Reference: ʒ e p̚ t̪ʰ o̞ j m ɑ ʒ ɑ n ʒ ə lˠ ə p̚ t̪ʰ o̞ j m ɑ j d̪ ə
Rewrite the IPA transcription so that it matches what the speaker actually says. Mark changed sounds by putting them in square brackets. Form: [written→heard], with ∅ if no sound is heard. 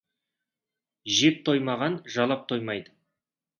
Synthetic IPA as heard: ʒ e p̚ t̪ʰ o̞ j m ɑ [ʒ→ʁ] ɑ n ʒ [ə→ɑ] lˠ [ə→ɑ] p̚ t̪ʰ o̞ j m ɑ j d̪ ə